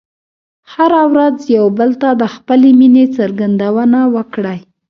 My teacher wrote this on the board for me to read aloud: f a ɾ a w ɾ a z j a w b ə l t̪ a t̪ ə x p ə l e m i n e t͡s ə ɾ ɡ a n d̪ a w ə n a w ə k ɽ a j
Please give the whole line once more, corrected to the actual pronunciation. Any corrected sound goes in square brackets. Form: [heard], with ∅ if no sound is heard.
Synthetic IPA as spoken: [h] a ɾ a w ɾ a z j a w b ə l t̪ a [d̪] ə x p ə l e m i n e t͡s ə ɾ ɡ a n d̪ a w ə n a w ə k ɽ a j